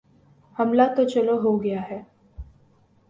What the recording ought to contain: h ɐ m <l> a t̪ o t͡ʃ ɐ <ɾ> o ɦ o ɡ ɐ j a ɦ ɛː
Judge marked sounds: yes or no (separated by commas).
yes, no